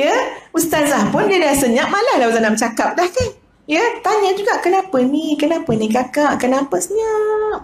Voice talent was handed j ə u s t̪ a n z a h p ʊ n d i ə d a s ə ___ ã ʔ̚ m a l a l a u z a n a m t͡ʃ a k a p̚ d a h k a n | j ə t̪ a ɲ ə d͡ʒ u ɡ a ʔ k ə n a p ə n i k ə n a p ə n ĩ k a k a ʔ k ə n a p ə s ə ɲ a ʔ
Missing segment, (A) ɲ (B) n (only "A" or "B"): A